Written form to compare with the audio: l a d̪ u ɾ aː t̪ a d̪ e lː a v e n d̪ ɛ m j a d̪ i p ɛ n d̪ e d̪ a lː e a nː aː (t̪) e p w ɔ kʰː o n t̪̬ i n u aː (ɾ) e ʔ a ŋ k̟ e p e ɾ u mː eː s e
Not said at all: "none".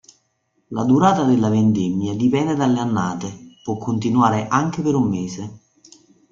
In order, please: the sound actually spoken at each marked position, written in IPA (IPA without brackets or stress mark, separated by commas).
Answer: t̪, ɾ